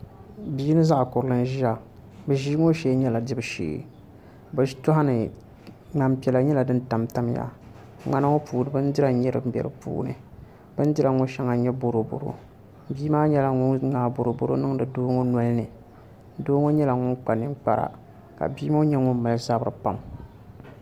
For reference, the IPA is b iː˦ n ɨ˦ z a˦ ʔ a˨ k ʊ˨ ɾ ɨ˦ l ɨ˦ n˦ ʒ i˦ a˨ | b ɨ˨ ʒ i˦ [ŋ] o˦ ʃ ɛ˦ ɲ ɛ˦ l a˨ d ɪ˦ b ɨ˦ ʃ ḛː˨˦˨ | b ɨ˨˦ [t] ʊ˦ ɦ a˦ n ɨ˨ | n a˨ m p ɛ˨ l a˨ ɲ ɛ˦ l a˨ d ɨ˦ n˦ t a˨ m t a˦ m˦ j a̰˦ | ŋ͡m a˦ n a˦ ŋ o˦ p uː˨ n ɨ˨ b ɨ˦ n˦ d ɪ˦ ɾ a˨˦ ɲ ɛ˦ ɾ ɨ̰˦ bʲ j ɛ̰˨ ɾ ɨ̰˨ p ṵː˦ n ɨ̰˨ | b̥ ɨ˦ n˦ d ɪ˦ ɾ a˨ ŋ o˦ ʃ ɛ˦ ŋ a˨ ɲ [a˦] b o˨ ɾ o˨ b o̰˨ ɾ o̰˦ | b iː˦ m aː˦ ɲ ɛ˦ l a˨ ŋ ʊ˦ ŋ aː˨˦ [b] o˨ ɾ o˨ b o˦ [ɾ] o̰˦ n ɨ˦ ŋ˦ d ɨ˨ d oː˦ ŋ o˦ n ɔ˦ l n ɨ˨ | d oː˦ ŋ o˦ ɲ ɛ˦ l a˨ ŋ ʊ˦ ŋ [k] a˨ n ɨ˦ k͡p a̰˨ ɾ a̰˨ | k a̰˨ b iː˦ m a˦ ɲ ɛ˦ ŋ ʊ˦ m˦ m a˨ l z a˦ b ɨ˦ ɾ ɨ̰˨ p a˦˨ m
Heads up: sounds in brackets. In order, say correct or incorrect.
correct, correct, incorrect: ɛ˦, correct, correct, incorrect: k͡p

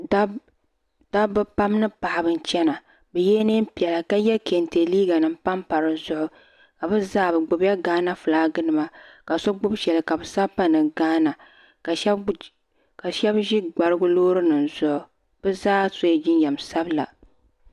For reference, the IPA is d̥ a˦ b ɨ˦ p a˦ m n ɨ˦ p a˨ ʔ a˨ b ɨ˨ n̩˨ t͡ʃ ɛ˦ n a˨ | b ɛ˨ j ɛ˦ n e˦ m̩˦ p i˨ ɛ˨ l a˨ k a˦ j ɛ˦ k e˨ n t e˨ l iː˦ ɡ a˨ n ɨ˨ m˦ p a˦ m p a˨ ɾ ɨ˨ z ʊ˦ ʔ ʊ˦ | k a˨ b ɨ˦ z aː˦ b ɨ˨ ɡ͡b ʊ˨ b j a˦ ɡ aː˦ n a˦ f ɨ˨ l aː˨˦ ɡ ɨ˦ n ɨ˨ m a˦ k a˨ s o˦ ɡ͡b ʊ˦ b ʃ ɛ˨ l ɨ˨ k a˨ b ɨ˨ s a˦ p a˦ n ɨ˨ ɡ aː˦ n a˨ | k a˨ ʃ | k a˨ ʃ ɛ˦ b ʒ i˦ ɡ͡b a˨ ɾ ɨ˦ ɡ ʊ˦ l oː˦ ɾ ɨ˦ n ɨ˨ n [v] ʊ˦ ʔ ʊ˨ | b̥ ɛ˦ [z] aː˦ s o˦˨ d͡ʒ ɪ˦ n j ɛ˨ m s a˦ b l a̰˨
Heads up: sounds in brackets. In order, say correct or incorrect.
incorrect: z, correct

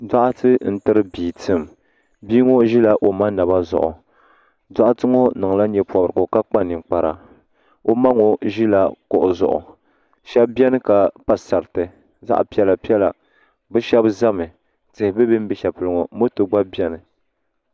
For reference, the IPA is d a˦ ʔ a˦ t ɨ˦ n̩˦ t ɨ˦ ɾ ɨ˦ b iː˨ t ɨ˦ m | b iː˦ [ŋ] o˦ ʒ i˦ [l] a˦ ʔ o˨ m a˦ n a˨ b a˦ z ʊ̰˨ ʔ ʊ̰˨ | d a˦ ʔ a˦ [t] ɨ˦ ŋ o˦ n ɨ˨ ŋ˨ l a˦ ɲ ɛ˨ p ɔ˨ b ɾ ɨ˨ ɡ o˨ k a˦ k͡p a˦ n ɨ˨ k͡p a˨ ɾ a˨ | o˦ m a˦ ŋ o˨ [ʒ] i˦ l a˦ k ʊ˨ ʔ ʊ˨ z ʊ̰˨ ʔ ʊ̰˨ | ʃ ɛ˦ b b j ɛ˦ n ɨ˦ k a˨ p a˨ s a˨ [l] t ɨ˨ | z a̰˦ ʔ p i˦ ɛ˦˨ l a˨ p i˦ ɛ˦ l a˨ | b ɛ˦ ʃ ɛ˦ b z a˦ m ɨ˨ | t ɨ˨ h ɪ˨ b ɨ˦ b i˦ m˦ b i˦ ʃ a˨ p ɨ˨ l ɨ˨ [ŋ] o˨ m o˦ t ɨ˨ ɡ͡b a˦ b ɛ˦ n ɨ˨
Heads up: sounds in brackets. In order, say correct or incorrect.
correct, correct, correct, correct, incorrect: ɾ, correct

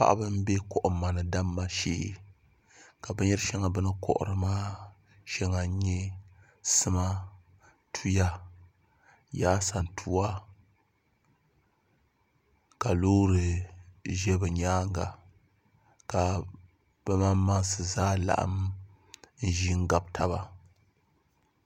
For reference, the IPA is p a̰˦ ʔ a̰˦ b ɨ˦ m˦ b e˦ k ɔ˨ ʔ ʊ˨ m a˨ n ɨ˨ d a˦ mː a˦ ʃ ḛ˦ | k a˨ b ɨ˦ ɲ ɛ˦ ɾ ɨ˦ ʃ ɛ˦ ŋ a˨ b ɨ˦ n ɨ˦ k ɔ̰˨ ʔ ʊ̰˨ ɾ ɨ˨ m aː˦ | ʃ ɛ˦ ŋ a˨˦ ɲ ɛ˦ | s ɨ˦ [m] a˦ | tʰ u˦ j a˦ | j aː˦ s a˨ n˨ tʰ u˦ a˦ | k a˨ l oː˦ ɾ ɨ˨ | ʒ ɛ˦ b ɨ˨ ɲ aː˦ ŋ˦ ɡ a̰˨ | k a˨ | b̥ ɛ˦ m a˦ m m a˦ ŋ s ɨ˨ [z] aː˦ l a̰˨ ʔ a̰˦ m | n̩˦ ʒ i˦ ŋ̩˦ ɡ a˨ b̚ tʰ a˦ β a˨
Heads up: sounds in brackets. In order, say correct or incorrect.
correct, correct

